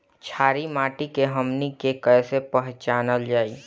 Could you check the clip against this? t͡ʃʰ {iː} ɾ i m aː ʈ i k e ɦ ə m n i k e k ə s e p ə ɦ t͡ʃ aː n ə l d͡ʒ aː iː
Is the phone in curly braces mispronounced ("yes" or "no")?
yes